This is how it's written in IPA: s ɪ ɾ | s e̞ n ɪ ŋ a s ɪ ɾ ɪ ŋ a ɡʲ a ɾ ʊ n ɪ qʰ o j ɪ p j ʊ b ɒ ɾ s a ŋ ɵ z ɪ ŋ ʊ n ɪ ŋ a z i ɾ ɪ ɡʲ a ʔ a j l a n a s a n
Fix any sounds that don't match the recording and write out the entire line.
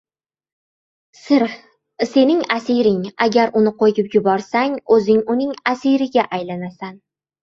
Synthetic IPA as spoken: s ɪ ɾ | s e̞ n ɪ ŋ a s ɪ ɾ ɪ ŋ a ɡʲ a ɾ ʊ n ɪ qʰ o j ɪ p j ʊ b ɒ ɾ s a ŋ ɵ z ɪ ŋ ʊ n ɪ ŋ a s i ɾ ɪ ɡʲ a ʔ a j l a n a s a n

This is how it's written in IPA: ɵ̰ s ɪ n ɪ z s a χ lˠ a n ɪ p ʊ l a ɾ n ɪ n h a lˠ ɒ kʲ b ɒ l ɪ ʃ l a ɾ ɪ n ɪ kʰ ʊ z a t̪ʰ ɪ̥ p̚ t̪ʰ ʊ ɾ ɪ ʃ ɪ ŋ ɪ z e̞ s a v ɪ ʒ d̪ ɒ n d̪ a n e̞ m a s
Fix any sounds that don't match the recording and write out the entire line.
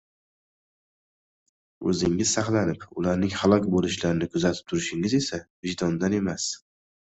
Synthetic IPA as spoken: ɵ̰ z ɪ ŋ ɪ z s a χ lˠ a n ɪ p ʊ l a ɾ n ɪ ŋ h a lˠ ɒ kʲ b o l ɪ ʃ l a ɾ ɪ n ɪ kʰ ʊ z a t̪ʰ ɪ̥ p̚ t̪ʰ ʊ ɾ ɪ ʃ ɪ ŋ ɪ z e̞ s a v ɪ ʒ d̪ ɒ n d̪ a n e̞ m a s

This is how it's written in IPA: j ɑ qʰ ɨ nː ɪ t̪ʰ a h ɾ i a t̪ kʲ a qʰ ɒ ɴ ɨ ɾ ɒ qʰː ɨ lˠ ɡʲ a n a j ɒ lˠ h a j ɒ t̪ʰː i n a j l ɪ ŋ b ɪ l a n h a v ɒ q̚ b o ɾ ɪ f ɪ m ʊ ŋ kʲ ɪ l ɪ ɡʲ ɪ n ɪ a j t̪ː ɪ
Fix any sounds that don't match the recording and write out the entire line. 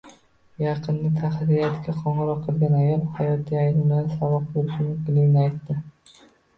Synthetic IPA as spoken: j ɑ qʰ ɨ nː ɪ t̪ʰ a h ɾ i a t̪ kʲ a qʰ ɒ ɴ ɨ ɾ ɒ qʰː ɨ lˠ ɡʲ a n a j ɒ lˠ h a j ɒ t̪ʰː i a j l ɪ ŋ b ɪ l a n s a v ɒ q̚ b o ɾ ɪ ʃ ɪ m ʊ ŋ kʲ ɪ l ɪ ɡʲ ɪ n ɪ a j t̪ː ɪ

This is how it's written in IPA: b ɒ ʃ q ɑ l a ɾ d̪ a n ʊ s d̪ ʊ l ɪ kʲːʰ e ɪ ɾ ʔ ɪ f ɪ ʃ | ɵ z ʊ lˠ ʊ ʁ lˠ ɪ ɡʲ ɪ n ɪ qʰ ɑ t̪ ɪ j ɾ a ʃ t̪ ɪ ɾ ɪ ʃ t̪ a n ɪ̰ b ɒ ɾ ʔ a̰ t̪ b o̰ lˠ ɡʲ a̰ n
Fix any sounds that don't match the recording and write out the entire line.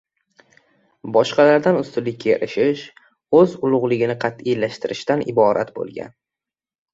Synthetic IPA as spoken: b ɒ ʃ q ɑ l a ɾ d̪ a n ʊ s t̪ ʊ l ɪ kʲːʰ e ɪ ɾ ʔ ɪ ʃ ɪ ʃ | ɵ z ʊ lˠ ʊ ʁ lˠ ɪ ɡʲ ɪ n ɪ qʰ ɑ t̪ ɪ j l a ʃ t̪ ɪ ɾ ɪ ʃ t̪ a n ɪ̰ b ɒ ɾ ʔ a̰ t̪ b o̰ lˠ ɡʲ a̰ n

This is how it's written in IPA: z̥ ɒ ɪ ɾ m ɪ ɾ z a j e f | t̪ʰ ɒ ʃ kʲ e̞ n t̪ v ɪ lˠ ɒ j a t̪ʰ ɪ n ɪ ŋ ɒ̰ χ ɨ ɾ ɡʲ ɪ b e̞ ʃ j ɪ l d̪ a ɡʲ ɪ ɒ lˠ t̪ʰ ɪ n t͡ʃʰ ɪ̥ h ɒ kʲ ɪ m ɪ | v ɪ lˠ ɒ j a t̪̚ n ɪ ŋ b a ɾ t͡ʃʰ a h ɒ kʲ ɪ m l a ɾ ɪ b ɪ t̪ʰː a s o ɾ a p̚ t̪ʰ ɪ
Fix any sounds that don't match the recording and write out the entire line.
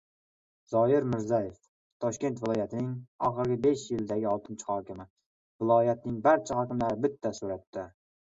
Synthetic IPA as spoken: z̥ ɒ ɪ ɾ m ɪ ɾ z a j e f | t̪ʰ ɒ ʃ kʲ e̞ n t̪ v ɪ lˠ ɒ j a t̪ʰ ɪ n ɪ ŋ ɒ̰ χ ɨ ɾ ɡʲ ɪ b e̞ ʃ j ɪ l d̪ a ɡʲ ɪ ɒ lˠ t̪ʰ ɪ n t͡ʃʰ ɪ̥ h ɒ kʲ ɪ m ɪ | v ɪ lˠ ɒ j a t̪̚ n ɪ ŋ b a ɾ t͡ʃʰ a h ɒ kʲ ɪ m l a ɾ ɪ b ɪ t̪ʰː a s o ɾ a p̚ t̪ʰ ɪ

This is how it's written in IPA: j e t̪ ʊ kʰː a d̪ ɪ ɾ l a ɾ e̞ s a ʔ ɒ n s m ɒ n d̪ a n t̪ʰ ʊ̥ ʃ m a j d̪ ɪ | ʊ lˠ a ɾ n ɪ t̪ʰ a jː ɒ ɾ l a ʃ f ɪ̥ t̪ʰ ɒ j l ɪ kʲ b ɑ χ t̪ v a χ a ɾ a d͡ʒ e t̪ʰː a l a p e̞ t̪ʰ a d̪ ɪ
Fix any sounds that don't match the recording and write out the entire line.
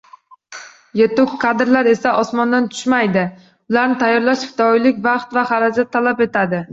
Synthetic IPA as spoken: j e t̪ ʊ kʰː a d̪ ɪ ɾ l a ɾ e̞ s a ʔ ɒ s m ɒ n d̪ a n t̪ʰ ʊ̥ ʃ m a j d̪ ɪ | ʊ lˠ a ɾ n ɪ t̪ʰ a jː ɒ ɾ l a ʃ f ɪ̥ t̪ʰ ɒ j l ɪ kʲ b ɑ χ t̪ v a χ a ɾ a d͡ʒ a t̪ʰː a l a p e̞ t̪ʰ a d̪ ɪ

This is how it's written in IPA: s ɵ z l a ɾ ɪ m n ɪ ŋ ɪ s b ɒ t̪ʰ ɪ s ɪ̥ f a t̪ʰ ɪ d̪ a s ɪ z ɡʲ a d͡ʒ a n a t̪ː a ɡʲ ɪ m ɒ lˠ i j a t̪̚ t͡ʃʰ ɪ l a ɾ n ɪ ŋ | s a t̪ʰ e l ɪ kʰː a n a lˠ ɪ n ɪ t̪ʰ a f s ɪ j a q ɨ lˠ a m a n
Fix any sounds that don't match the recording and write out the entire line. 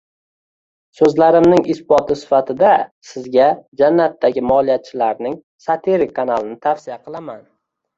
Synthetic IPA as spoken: s ɵ z l a ɾ ɪ m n ɪ ŋ ɪ s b ɒ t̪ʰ ɪ s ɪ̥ f a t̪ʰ ɪ d̪ a s ɪ z ɡʲ a d͡ʒ a nː a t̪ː a ɡʲ ɪ m ɒ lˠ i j a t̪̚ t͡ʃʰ ɪ l a ɾ n ɪ ŋ | s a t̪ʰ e ɾ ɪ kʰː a n a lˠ ɪ n ɪ t̪ʰ a f s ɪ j a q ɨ lˠ a m a n

